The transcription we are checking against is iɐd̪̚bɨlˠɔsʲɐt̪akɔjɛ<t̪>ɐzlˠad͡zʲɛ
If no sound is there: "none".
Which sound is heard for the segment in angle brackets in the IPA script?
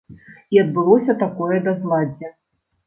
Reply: d̪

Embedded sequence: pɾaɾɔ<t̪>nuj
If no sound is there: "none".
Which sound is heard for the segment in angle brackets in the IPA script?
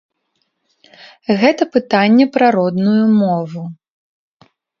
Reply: d̪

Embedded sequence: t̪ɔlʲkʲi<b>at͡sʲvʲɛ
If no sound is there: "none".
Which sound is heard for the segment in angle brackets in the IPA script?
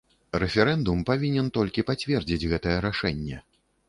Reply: p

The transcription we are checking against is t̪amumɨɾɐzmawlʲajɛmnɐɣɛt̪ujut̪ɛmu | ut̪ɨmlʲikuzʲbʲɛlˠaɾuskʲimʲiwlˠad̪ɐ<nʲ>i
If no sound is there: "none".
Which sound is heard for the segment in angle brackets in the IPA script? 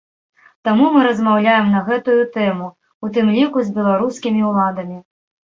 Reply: mʲ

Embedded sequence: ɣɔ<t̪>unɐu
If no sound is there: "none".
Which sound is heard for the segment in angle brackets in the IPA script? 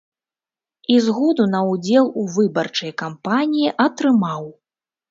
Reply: d̪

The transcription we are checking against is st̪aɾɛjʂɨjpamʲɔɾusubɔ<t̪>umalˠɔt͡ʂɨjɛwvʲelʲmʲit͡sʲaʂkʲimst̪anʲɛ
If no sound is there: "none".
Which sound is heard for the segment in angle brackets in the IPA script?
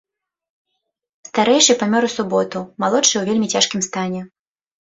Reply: t̪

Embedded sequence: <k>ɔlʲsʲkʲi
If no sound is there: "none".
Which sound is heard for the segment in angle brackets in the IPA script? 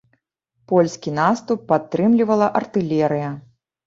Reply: p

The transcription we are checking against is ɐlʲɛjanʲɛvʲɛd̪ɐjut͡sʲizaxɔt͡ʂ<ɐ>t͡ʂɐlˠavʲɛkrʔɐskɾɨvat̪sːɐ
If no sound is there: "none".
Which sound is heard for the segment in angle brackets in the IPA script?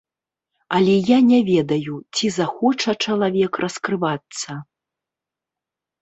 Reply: ɐ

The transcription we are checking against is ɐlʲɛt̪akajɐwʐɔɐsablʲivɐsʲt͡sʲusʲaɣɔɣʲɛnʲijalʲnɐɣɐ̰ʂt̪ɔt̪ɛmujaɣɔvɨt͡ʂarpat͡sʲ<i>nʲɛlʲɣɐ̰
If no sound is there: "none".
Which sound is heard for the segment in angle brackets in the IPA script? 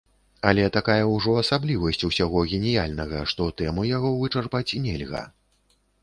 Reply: i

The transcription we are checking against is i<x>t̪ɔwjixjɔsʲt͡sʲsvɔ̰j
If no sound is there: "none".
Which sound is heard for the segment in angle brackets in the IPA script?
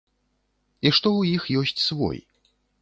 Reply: ʂ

